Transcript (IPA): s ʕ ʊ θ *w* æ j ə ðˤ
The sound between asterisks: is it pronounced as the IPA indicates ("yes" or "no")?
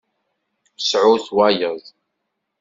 yes